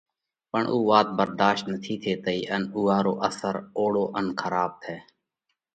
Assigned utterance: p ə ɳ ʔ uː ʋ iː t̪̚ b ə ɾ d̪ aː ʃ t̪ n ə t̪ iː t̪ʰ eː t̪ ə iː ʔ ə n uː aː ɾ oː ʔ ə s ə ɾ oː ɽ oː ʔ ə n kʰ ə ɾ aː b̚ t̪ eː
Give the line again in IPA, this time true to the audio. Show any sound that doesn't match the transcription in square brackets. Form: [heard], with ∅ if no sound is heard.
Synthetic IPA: p ə ɳ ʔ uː ʋ [aː] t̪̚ b ə ɾ d̪ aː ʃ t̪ n ə [t̪ʰ] iː t̪ʰ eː t̪ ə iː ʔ ə n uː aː ɾ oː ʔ ə s ə ɾ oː ɽ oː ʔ ə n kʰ ə ɾ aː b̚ [t̪ʰ] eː

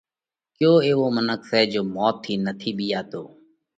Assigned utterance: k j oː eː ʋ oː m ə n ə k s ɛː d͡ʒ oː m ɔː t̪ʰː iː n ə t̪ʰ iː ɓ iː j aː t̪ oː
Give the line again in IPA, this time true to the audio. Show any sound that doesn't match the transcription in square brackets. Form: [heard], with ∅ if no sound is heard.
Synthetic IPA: k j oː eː ʋ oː m ə n ə k s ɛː d͡ʒ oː m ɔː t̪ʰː iː n ə t̪ʰ iː ɓ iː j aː t̪ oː

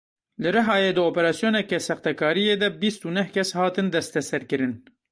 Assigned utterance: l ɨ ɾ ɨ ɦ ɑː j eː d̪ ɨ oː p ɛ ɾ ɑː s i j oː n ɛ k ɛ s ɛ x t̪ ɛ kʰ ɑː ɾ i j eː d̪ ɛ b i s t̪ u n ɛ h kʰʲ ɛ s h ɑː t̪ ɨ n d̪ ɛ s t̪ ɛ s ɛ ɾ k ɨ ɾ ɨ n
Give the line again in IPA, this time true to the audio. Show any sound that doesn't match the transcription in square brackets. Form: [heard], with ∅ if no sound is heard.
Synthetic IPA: l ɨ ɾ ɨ ɦ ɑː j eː d̪ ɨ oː p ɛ ɾ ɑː s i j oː n ɛ k ɛ s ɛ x t̪ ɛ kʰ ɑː ɾ i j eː d̪ ɛ b i s t̪ u n ɛ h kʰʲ ɛ s h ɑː t̪ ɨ n d̪ ɛ s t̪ ɛ s ɛ ɾ k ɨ ɾ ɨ n

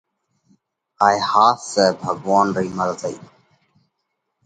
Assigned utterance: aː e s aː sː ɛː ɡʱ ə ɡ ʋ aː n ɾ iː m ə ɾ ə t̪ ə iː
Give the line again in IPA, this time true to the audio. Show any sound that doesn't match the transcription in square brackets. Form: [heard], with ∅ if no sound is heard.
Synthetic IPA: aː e [h] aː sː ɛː [bʱ] ə ɡ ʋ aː n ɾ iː m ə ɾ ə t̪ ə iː

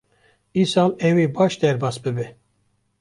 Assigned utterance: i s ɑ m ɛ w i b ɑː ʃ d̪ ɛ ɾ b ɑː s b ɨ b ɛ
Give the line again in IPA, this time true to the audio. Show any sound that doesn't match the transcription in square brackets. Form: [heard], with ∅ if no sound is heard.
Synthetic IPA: i s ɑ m ɛ w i b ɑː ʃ d̪ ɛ ɾ b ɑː s b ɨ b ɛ

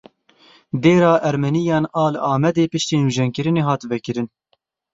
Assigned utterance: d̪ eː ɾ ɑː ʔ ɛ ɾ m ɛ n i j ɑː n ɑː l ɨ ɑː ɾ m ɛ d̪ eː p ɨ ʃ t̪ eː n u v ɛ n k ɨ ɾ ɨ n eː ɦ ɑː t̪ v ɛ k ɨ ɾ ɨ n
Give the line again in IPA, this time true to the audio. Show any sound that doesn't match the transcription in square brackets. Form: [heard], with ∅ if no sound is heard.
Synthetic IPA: d̪ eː ɾ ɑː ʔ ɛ ɾ m ɛ n i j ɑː n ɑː l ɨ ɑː [∅] m ɛ d̪ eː p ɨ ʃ t̪ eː n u [ʒ] ɛ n k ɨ ɾ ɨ n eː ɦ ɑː t̪ v ɛ k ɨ ɾ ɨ n

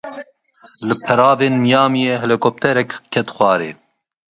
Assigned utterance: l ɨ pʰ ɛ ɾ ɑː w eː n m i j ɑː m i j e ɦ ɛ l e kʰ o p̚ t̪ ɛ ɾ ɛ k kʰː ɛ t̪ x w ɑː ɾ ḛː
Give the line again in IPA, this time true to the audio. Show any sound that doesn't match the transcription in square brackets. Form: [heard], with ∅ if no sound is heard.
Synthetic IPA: l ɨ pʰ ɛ ɾ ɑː [v] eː n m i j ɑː m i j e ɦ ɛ l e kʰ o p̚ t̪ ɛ ɾ ɛ k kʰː ɛ t̪ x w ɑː ɾ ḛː

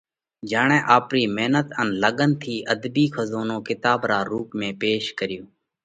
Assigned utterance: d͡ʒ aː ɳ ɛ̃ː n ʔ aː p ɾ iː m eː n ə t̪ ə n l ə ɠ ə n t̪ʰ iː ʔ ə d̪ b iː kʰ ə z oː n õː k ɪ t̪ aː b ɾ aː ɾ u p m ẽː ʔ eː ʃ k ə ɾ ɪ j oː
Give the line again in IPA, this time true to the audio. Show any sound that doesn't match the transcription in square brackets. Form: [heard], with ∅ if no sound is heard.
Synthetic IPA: d͡ʒ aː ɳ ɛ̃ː [∅] ʔ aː p ɾ iː m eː n ə t̪ ə n l ə ɠ ə n t̪ʰ iː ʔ ə d̪ b iː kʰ ə z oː n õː k ɪ t̪ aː b ɾ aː ɾ [uː] p m ẽː [p] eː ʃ k ə ɾ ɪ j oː

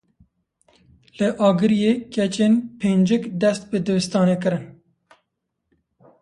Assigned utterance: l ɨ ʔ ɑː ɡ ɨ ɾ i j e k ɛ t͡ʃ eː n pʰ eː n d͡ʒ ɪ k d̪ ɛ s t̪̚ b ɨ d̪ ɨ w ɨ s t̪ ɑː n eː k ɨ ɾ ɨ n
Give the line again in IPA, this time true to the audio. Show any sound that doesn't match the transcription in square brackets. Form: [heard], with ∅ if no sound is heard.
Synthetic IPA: l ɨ ʔ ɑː ɡ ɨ ɾ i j e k ɛ t͡ʃ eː n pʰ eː n d͡ʒ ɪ k d̪ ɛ s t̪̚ b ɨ d̪ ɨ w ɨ s t̪ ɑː n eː k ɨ ɾ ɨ n

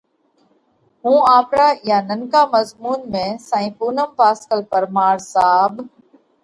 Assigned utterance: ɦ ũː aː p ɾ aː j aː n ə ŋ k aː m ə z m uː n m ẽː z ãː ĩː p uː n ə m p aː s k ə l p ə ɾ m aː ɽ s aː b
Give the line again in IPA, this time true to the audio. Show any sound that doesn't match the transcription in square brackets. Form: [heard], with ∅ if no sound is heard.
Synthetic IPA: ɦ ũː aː p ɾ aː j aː n ə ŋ k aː m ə z m uː n m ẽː [s] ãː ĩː p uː n ə m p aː s k ə l p ə ɾ m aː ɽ s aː b

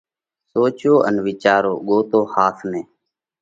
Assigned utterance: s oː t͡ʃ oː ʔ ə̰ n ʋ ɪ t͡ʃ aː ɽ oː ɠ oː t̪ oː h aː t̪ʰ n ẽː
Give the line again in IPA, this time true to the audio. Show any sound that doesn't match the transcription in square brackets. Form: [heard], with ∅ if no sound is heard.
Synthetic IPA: s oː t͡ʃ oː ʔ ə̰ n ʋ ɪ t͡ʃ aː [ɾ] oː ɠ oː t̪ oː h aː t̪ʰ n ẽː

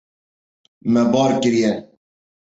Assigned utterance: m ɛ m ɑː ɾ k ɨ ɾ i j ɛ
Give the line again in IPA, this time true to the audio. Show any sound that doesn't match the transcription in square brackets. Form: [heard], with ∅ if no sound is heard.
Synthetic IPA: m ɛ [b] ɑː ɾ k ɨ ɾ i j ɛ

